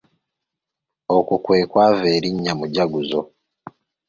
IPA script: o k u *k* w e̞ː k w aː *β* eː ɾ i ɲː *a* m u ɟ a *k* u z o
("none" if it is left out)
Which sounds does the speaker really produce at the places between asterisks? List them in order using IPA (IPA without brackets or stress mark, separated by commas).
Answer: k, v, a, ɡ